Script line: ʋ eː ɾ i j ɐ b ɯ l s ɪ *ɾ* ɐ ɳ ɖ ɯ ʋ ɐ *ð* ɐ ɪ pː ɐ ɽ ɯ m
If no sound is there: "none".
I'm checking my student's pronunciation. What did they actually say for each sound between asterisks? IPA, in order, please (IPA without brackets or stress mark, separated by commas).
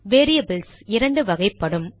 ɾ, ɣ